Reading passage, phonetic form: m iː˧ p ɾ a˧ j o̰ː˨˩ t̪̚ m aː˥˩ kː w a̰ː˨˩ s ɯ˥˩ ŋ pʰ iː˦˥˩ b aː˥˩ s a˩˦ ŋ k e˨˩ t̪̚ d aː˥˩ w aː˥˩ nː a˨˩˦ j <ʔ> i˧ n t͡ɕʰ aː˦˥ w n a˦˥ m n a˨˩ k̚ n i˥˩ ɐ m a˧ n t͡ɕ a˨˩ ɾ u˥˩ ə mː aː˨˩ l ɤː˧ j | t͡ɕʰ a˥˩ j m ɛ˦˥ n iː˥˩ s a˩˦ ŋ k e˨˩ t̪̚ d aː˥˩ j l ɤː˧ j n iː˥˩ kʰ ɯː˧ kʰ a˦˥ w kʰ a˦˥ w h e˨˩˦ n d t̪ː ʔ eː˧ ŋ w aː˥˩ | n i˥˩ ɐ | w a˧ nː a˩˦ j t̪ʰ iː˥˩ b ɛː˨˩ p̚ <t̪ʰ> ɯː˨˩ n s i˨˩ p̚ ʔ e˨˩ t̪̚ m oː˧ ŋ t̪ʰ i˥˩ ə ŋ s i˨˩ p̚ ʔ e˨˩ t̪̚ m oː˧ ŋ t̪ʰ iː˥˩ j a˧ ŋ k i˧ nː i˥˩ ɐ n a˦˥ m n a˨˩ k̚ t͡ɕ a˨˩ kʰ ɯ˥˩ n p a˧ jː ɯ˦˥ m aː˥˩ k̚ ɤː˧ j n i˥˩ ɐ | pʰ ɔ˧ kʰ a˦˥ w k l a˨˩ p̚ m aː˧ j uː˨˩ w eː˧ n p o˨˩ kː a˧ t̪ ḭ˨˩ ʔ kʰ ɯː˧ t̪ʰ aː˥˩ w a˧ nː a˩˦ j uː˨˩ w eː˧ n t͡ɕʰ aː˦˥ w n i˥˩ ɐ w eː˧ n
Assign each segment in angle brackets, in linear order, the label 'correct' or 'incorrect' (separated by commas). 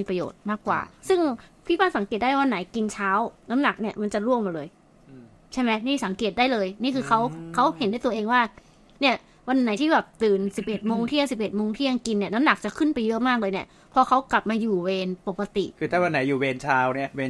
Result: incorrect, incorrect